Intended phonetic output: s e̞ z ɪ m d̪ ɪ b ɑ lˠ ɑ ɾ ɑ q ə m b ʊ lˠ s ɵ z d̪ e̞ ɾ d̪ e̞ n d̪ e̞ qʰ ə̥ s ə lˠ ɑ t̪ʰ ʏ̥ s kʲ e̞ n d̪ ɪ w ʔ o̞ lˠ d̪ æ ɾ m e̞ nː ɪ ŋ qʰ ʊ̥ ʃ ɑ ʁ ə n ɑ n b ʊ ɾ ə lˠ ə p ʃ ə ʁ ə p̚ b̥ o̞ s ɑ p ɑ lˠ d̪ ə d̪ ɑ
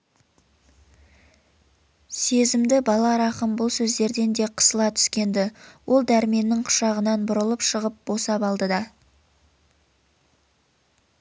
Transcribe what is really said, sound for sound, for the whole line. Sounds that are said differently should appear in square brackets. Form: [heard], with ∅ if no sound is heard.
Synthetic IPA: s e̞ z ɪ m d̪ ɪ b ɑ lˠ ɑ ɾ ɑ q ə m b ʊ lˠ s ɵ z d̪ e̞ ɾ d̪ e̞ n d̪ e̞ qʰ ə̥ s ə lˠ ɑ t̪ʰ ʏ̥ s kʲ e̞ n d̪ ɪ w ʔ o̞ lˠ d̪ æ ɾ m e̞ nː ɪ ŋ qʰ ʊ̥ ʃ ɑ ʁ ə n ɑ n b ʊ ɾ ə lˠ ə p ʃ ə ʁ ə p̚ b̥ o̞ s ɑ p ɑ lˠ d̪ ə d̪ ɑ